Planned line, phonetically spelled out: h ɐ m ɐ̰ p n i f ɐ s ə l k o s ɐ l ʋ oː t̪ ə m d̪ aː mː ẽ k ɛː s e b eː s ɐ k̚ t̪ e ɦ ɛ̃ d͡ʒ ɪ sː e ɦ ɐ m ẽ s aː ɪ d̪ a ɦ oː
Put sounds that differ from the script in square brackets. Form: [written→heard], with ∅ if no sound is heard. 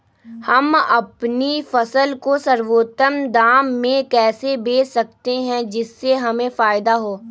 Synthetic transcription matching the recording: h ɐ m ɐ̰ p n i f ɐ s ə l k o s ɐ [l→ɾ] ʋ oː t̪ ə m d̪ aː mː ẽ k ɛː s e b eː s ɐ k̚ t̪ e ɦ ɛ̃ d͡ʒ ɪ sː e ɦ ɐ m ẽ [s→f] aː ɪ d̪ a ɦ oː